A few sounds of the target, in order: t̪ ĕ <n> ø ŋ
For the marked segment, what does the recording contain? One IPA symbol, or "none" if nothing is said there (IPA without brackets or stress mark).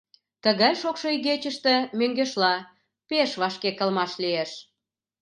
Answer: m